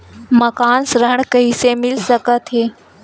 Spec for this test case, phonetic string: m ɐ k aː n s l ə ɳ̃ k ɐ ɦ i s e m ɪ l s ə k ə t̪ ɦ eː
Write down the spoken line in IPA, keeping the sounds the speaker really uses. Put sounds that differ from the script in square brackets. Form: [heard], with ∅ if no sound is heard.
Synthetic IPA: m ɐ k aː n s [ɾ] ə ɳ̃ k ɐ ɦ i s e m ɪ l s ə k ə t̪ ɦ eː